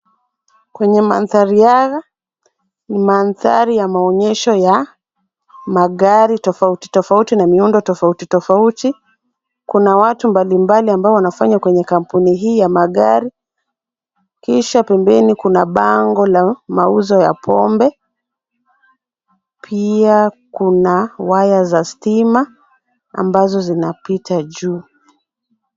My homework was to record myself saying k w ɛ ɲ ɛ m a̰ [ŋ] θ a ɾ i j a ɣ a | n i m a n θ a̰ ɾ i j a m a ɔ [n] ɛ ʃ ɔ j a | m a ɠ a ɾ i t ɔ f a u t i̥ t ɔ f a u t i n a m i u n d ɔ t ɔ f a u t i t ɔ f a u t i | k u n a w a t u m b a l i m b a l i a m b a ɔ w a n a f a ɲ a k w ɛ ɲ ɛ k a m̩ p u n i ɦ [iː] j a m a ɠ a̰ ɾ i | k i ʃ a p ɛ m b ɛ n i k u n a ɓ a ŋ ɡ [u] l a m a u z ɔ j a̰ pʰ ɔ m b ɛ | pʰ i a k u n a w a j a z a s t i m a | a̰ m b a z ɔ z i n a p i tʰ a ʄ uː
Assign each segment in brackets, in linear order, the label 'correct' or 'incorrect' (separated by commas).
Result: incorrect, incorrect, correct, incorrect